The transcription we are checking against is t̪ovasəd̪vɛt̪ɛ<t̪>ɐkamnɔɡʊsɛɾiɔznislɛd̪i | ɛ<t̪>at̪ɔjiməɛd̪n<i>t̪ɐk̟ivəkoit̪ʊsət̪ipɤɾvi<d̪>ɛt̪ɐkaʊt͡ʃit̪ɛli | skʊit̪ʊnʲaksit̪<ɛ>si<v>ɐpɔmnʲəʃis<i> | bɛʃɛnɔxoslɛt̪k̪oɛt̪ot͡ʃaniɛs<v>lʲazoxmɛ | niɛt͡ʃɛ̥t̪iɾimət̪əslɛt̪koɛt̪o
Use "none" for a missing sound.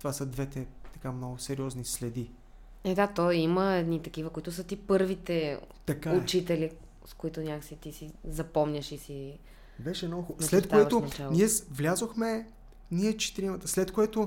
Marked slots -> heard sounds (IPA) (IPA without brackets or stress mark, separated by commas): t̪, d̪, i, t̪, i, z, i, v